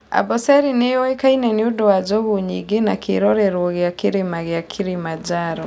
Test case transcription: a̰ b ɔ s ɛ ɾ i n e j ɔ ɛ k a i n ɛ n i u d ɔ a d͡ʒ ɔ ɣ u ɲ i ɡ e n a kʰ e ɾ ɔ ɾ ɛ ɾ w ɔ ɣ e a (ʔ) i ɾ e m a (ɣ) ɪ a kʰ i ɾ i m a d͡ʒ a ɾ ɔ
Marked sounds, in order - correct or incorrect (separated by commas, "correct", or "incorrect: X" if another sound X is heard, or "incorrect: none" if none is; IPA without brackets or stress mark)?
incorrect: k, correct